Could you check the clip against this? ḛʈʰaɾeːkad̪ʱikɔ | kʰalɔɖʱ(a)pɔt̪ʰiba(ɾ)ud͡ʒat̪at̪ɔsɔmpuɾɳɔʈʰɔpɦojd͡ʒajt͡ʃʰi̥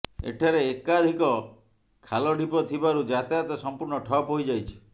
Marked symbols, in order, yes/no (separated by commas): no, yes